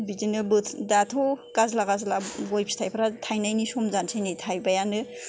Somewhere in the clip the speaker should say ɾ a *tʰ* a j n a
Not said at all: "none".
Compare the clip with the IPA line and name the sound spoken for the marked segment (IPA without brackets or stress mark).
tʰ